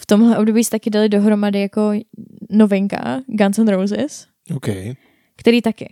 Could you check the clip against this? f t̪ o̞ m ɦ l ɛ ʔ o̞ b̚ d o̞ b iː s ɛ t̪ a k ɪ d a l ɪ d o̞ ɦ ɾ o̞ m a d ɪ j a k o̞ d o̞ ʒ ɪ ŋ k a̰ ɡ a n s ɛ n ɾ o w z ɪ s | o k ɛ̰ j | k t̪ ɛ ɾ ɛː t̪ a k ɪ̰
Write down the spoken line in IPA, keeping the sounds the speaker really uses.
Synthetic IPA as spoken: f t̪ o̞ m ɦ l ɛ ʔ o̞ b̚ d o̞ b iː s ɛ t̪ a k ɪ d a l ɪ d o̞ ɦ ɾ o̞ m a d ɪ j a k o̞ n o̞ v ɪ ŋ k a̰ ɡ a n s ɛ n ɾ o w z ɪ s | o k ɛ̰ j | k t̪ ɛ ɾ iː t̪ a k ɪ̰